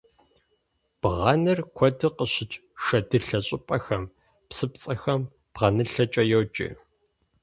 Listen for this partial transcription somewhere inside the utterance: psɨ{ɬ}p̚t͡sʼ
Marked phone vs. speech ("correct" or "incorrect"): incorrect